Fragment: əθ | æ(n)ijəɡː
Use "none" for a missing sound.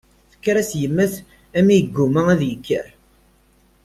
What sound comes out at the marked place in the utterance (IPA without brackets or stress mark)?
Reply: m